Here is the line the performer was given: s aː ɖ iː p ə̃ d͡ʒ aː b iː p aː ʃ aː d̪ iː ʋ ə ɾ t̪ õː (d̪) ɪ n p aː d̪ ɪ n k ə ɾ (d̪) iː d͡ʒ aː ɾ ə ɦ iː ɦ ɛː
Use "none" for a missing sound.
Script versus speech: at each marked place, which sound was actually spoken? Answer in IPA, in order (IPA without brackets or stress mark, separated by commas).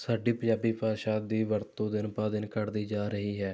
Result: d̪, d̪